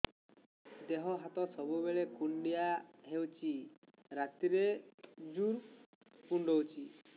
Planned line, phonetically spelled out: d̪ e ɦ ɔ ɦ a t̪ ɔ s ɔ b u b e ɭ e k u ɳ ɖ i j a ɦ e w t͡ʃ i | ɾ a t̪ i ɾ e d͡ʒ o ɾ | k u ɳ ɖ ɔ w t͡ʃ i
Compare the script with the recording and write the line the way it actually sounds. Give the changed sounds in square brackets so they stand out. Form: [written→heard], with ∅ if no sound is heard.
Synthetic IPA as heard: d̪ e ɦ ɔ ɦ a t̪ ɔ s ɔ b u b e ɭ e k u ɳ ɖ i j a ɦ e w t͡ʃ i | ɾ a t̪ i ɾ e d͡ʒ [o→u] ɾ | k u ɳ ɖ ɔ w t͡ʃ i